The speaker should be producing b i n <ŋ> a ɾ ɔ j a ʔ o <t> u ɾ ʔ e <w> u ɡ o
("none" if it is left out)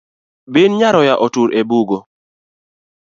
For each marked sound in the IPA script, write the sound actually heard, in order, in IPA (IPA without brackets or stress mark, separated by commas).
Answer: ɲ, t, b